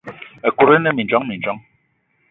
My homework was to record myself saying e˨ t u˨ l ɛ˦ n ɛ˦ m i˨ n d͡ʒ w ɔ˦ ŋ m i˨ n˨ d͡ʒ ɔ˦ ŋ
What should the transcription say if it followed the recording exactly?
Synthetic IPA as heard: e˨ k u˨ ɾ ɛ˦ n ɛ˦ m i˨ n d͡ʒ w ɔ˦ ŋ m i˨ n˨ d͡ʒ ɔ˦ ŋ